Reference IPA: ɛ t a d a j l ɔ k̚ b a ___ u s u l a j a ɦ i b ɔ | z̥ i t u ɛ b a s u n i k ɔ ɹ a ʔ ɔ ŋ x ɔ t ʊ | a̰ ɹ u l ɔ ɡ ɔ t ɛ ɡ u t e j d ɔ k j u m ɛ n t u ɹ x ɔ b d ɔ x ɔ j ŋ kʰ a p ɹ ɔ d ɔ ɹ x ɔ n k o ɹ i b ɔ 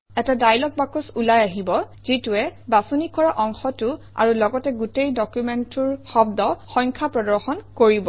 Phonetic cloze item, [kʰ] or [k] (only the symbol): k